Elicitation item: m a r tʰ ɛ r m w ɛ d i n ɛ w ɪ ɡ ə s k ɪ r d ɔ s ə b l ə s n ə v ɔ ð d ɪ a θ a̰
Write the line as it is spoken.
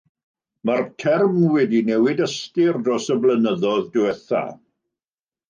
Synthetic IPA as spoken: m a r tʰ ɛ r m w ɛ d i n ɛ w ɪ d ə s t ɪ r d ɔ s ə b l ə n ə ð ɔ ð d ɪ ɛ θ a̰